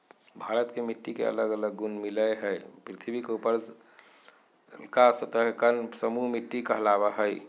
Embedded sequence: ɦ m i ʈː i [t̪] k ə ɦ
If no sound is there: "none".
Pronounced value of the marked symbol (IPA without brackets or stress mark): none